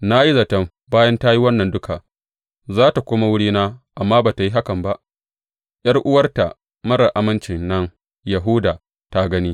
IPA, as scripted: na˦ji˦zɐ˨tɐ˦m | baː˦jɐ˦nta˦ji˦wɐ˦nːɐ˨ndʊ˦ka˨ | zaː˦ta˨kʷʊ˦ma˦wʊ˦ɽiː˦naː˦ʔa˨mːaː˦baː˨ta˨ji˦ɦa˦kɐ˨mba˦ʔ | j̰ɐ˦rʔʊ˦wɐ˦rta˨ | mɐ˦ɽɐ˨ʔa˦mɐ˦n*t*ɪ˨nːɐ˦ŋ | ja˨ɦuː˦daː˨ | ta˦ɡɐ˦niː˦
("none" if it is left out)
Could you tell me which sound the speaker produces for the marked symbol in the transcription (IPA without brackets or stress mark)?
t͡ʃ